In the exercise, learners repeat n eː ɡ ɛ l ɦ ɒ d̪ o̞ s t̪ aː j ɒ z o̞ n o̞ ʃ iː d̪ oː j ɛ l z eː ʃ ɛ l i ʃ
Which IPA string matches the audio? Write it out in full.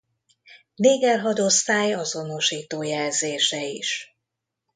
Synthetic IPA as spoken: n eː ɡ ɛ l ɦ ɒ d̪ o̞ s t̪ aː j ɒ z o̞ n o̞ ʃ iː t̪ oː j ɛ l z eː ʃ ɛ i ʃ